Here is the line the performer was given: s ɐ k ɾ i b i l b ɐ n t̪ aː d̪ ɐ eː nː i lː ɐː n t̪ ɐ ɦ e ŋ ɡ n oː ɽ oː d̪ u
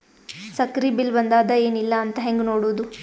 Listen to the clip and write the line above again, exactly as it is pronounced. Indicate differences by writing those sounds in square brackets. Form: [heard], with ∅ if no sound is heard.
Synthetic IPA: s ɐ k ɾ i b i l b ɐ n [d̪] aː d̪ ɐ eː [n] i lː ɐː n t̪ ɐ ɦ e ŋ ɡ n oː ɽ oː d̪ u